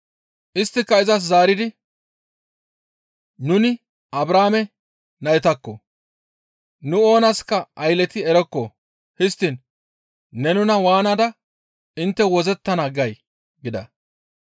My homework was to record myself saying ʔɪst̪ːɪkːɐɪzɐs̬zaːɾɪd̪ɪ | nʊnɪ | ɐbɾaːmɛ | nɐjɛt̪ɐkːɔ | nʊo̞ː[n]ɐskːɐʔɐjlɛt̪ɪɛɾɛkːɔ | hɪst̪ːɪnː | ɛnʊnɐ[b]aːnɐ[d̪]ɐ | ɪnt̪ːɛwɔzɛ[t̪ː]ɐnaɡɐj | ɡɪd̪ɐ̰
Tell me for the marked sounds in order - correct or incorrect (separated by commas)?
correct, incorrect, correct, correct